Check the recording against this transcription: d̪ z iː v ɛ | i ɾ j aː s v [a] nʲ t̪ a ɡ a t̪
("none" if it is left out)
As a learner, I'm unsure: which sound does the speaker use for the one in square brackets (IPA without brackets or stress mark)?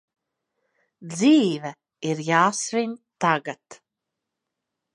i